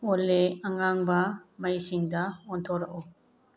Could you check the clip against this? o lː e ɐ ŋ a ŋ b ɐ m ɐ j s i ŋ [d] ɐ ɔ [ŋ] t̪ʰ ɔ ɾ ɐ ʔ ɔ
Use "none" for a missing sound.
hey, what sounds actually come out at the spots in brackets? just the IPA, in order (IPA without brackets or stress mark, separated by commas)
d, n